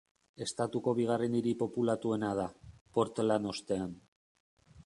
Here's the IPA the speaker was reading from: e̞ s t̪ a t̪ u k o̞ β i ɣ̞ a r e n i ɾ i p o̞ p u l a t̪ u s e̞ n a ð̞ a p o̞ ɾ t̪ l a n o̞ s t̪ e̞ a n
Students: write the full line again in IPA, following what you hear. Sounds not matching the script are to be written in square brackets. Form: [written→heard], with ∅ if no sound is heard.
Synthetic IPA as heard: e̞ s t̪ a t̪ u k o̞ β i ɣ̞ a r e n i ɾ i p o̞ p u l a t̪ u [s→∅] e̞ n a ð̞ a p o̞ ɾ t̪ l a n o̞ s t̪ e̞ a n